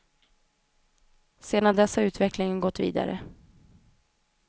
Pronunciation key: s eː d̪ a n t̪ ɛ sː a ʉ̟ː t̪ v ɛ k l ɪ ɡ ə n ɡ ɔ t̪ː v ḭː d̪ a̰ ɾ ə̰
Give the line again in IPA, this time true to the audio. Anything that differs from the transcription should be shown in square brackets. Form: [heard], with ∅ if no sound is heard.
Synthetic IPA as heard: s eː d̪ a n [d̪] ɛ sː a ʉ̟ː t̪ v ɛ k l ɪ [ŋ] ə n ɡ ɔ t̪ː v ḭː d̪ a̰ ɾ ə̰

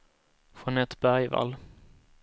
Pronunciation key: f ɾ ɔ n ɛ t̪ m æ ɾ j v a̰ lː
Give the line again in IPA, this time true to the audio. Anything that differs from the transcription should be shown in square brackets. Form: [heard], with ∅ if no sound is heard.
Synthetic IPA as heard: f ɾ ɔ n ɛ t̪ [b] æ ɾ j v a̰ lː

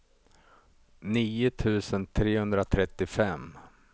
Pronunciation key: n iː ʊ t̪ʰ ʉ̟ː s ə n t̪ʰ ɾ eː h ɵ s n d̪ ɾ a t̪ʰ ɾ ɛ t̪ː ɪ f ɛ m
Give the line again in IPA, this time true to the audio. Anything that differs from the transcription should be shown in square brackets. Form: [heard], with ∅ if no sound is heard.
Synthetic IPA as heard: n iː ʊ t̪ʰ ʉ̟ː s ə n t̪ʰ ɾ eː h ɵ [∅] n d̪ ɾ a t̪ʰ ɾ ɛ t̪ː ɪ f ɛ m

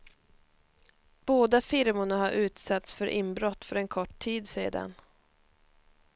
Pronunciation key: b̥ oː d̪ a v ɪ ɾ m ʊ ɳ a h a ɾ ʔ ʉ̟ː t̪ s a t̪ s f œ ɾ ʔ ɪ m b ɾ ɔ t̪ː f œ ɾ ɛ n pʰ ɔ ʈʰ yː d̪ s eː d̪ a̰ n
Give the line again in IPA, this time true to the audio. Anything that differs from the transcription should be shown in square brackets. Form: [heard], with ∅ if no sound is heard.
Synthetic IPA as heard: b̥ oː d̪ a [f] ɪ ɾ m ʊ ɳ a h a ɾ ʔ ʉ̟ː t̪ s a t̪ s f œ ɾ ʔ ɪ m b ɾ ɔ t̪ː f œ ɾ ɛ n [kʰ] ɔ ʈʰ [iː] d̪ s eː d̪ a̰ n

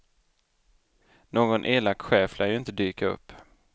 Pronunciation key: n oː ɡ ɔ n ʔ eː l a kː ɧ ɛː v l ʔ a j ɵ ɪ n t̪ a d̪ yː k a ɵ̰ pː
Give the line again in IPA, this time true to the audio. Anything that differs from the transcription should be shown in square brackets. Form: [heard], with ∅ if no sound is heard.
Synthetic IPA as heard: n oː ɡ ɔ n ʔ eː l a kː ɧ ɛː [f] l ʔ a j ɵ ɪ n t̪ [ə] d̪ yː k a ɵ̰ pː

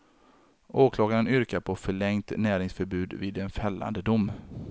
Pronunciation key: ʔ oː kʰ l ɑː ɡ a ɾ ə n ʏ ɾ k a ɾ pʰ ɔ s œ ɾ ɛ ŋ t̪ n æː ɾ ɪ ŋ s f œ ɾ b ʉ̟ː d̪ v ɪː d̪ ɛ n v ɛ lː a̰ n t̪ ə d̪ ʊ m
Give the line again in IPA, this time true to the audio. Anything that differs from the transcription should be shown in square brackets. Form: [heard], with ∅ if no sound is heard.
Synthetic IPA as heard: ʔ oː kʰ l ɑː ɡ a ɾ ə n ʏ ɾ k a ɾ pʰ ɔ [f] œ [ɭ] ɛ ŋ t̪ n æː ɾ ɪ ŋ s f œ ɾ b ʉ̟ː d̪ v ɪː d̪ ɛ n [f] ɛ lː a̰ n [d̪] ə d̪ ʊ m

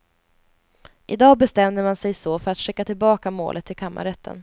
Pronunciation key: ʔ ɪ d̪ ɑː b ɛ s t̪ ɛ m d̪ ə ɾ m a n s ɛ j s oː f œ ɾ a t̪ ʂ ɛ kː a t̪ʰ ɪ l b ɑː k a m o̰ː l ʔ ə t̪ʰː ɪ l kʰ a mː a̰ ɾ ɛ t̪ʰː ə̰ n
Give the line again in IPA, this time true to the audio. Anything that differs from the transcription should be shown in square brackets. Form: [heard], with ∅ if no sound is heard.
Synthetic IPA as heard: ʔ ɪ d̪ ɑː b ɛ s t̪ ɛ m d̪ ə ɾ m a n s ɛ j s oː f œ ɾ a t̪ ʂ ɛ kː a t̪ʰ ɪ l b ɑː k a m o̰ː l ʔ ə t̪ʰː ɪ l kʰ a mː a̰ ɾ ɛ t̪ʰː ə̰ n

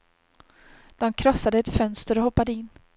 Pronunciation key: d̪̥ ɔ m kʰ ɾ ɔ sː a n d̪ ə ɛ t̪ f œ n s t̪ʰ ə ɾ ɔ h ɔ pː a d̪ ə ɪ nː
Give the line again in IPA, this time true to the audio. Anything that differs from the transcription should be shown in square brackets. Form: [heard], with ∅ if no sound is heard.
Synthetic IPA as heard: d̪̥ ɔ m kʰ ɾ ɔ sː a [∅] d̪ ə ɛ t̪ f œ n s [t̪] ə ɾ ɔ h ɔ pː a d̪ ə ɪ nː

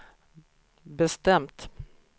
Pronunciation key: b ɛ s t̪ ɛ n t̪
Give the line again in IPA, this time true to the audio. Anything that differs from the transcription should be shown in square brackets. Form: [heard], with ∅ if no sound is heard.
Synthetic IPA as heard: b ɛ s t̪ ɛ [m] t̪

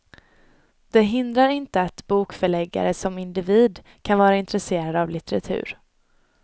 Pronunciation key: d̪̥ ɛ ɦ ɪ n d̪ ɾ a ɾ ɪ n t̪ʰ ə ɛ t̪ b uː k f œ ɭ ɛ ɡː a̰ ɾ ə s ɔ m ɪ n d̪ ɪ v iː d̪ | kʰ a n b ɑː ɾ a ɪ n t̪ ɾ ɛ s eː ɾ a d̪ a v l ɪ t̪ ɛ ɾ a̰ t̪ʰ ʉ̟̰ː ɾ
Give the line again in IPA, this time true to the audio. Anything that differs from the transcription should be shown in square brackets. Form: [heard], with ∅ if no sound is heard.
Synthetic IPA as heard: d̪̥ ɛ ɦ ɪ n d̪ ɾ a ɾ ɪ n [t̪] ə [a] t̪ b uː k f œ ɭ ɛ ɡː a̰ ɾ ə s ɔ m ɪ n d̪ ɪ v iː d̪ | kʰ a n [v] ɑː ɾ a ɪ n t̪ ɾ ɛ s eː ɾ a d̪ a v l ɪ t̪ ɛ ɾ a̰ t̪ʰ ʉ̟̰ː ɾ

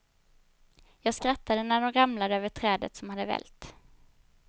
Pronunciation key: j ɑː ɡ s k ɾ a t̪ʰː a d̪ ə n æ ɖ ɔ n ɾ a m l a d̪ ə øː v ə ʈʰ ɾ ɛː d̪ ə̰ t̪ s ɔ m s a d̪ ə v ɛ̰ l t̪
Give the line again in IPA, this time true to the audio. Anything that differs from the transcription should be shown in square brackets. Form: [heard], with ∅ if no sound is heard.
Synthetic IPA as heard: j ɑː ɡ s k ɾ a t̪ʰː a d̪ ə n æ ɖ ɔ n ɾ a m l a d̪ ə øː v ə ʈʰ ɾ ɛː d̪ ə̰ t̪ s ɔ m [h] a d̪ ə v ɛ̰ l t̪

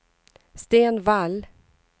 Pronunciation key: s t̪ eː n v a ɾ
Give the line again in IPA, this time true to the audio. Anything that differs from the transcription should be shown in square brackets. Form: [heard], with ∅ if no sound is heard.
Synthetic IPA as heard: s t̪ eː n v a [l]

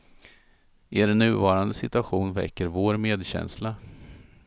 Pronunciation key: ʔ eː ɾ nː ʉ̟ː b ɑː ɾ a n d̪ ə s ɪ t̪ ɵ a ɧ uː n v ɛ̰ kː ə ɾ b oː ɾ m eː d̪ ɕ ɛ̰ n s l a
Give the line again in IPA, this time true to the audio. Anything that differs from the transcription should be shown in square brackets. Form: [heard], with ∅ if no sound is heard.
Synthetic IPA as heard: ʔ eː ɾ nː ʉ̟ː [v] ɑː ɾ a n d̪ ə s ɪ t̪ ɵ a ɧ uː n v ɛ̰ kː ə ɾ [v] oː ɾ m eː d̪ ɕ ɛ̰ n s l a

